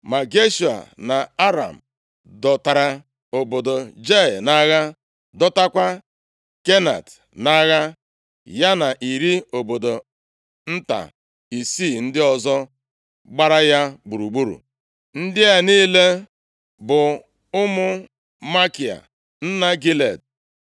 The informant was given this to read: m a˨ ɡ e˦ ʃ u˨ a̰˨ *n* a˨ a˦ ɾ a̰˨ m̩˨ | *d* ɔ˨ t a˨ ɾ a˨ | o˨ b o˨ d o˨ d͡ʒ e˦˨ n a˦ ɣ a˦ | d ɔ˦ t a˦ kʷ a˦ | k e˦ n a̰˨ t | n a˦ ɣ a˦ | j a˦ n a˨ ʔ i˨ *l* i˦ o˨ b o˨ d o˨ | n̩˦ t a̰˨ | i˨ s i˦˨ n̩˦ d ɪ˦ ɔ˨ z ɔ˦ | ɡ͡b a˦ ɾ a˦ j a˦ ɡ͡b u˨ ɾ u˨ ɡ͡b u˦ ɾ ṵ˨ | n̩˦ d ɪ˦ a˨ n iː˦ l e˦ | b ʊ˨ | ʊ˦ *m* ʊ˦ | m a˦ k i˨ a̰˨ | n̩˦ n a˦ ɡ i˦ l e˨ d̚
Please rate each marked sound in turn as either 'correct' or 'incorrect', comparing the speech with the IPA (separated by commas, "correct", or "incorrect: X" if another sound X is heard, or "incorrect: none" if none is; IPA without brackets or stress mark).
correct, correct, incorrect: ɾ, correct